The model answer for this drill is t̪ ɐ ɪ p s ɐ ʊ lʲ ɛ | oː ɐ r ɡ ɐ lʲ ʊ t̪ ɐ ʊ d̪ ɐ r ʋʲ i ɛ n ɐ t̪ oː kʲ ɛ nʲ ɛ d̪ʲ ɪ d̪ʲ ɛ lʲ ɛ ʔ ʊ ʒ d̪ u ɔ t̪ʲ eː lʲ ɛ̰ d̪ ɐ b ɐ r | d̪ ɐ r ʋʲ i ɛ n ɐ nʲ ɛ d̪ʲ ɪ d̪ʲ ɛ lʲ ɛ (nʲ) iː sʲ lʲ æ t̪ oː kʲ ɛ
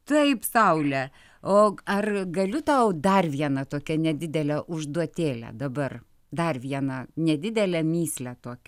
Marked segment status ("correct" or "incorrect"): incorrect